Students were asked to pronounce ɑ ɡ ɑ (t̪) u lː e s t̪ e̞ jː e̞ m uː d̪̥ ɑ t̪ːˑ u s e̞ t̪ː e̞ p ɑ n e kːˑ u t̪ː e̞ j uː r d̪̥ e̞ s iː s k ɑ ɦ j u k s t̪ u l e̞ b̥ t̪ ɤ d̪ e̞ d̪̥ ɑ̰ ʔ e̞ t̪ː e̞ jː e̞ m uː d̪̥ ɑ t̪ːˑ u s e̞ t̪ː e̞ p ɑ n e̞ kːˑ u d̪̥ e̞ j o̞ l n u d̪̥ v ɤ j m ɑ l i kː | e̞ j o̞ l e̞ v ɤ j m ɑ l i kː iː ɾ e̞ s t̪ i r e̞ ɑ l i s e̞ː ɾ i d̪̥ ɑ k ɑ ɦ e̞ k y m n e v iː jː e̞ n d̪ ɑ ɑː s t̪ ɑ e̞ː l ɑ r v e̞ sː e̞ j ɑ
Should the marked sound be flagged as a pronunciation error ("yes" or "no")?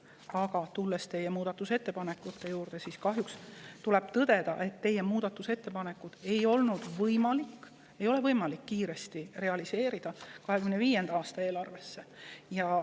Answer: no